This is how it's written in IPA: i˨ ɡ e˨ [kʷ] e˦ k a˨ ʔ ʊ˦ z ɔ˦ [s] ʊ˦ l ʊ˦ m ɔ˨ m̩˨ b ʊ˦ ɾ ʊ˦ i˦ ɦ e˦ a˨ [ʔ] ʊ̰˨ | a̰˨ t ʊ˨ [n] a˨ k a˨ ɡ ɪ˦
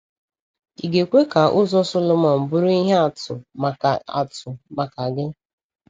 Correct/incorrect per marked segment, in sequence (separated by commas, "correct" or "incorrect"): correct, correct, incorrect, incorrect